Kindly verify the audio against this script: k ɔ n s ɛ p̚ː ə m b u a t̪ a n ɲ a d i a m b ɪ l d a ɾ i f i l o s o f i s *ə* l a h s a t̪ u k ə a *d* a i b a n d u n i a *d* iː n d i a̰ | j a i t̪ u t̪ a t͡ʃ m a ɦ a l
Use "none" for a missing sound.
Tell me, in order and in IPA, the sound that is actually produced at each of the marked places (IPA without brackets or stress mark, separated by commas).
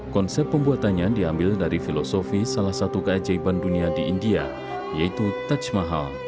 a, d͡ʒ, d